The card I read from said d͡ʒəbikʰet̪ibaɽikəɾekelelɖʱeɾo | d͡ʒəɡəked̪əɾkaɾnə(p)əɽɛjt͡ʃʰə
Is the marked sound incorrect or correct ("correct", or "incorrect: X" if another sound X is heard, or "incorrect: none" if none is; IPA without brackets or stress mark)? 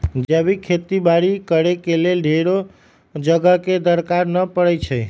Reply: correct